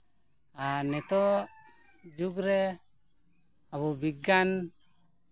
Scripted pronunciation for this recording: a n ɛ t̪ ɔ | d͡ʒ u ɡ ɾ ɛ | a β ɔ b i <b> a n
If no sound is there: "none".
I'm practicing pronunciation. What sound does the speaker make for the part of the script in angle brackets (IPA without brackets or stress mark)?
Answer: ɡ